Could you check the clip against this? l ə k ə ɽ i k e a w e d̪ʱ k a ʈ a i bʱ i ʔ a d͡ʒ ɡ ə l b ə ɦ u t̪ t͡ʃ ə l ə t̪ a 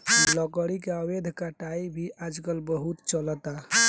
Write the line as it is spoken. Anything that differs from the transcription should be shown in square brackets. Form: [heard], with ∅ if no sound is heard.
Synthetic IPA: l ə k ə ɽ i k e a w e d̪ʱ k a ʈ a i bʱ i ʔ a d͡ʒ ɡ ə l b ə ɦ u t̪ t͡ʃ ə l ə t̪ a